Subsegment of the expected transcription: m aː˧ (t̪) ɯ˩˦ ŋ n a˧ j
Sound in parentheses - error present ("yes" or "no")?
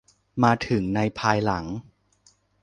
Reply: yes